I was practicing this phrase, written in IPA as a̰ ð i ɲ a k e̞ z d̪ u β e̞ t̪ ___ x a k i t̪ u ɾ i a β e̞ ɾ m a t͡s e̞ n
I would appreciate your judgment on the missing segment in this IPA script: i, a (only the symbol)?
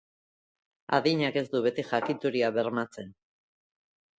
i